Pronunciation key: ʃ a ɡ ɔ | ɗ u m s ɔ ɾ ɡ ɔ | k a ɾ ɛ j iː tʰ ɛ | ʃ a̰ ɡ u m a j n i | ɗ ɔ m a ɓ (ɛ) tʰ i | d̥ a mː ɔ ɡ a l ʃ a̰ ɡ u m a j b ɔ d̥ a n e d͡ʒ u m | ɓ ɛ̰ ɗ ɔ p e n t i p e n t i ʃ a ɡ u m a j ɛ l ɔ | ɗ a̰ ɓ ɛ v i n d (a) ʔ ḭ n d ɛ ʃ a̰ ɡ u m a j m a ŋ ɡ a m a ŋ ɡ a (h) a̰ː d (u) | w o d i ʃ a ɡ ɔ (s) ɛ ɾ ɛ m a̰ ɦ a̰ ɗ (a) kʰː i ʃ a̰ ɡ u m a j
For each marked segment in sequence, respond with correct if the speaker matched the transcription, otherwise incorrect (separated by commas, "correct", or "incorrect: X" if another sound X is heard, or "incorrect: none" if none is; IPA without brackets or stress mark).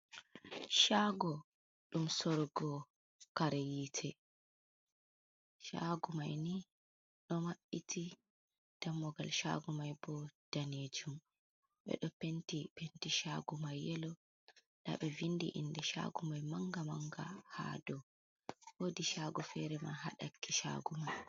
incorrect: i, incorrect: i, correct, incorrect: ɔ, incorrect: f, correct